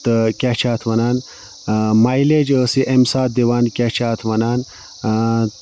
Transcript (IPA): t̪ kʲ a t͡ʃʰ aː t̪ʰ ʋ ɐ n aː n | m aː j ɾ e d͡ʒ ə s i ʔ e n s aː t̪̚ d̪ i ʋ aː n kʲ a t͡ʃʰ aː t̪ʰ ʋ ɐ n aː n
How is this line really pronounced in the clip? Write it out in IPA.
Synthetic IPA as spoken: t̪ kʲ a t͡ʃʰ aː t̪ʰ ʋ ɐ n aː n | m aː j l e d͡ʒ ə s i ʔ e m s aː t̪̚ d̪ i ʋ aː n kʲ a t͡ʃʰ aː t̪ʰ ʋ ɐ n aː n